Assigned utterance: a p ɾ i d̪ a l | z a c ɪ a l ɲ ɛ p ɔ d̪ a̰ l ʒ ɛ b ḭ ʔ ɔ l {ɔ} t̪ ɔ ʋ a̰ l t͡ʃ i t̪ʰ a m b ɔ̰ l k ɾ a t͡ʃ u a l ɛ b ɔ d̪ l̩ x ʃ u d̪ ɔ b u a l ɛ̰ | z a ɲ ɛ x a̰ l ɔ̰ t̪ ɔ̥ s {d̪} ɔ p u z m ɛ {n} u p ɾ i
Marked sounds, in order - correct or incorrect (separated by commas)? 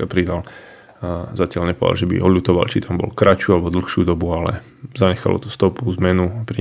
incorrect, incorrect, correct